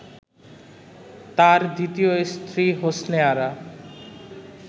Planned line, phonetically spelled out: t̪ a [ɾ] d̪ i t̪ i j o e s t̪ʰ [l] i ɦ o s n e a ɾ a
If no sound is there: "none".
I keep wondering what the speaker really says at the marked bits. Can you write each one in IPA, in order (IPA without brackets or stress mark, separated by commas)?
ɾ, ɾ